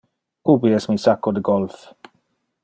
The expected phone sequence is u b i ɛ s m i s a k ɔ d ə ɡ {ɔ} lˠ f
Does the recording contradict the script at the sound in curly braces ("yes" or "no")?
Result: no